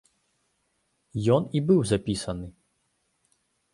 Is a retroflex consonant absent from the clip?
yes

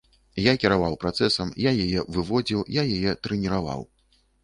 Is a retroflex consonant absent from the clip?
yes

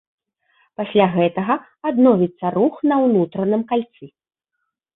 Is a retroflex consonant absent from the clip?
yes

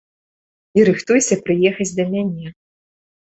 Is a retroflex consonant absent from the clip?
yes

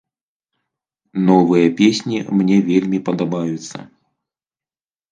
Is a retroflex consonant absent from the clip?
yes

